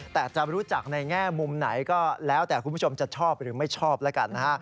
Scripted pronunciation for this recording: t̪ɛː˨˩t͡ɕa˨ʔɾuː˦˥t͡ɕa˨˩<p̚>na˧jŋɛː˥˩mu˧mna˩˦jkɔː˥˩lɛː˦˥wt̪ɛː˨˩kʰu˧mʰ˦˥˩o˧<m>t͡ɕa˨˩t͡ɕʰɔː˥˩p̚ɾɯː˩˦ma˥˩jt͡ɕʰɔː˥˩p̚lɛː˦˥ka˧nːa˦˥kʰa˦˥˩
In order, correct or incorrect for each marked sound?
incorrect: k̚, correct

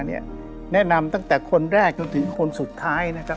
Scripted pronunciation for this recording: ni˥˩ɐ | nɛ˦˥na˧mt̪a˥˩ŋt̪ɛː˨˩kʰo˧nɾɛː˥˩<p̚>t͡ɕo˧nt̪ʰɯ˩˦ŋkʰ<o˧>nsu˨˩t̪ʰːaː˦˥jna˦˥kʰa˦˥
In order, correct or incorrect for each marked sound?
incorrect: k̚, correct

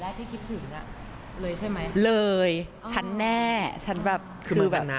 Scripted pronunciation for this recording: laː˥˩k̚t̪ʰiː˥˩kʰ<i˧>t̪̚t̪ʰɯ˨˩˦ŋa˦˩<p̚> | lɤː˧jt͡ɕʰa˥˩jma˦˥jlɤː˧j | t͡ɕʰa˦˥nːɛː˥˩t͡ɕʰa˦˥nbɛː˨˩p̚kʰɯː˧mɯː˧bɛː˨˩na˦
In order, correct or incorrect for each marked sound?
incorrect: i˦˥, incorrect: none

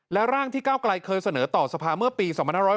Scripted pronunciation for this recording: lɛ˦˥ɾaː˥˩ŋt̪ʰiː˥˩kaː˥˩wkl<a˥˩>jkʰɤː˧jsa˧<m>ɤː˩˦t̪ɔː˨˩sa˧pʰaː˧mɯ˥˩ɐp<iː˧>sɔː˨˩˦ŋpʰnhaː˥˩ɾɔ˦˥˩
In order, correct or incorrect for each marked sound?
incorrect: a˧, incorrect: n, correct

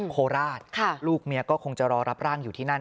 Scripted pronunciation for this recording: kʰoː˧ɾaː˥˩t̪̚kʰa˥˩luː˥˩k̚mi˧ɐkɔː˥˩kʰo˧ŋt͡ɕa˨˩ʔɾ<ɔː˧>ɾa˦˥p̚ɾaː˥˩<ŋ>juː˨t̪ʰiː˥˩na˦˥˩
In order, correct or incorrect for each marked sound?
correct, correct

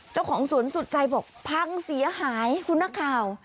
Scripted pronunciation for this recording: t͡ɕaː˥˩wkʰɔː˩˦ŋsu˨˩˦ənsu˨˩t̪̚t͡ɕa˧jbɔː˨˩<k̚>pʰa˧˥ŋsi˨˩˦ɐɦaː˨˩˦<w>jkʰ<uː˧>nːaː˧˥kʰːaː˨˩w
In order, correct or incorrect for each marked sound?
correct, incorrect: none, incorrect: u˧

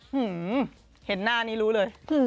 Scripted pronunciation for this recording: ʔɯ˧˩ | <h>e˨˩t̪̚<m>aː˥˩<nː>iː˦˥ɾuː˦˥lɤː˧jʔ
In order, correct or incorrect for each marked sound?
correct, incorrect: n, incorrect: n

